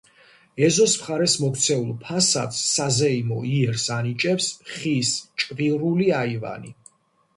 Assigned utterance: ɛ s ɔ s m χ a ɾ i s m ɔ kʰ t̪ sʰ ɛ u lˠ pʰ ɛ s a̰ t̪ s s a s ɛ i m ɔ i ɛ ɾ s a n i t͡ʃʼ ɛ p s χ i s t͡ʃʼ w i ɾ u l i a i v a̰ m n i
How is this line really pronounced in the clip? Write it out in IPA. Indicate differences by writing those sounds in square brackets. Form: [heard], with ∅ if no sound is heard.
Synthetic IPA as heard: ɛ [z] ɔ s m χ a ɾ [ɛ] s m ɔ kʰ t̪ sʰ ɛ u lˠ pʰ [a] s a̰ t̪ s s a [z] ɛ i m ɔ i ɛ ɾ s a n i t͡ʃʼ ɛ p s χ i s t͡ʃʼ [v] i ɾ u l i a i v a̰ [∅] n i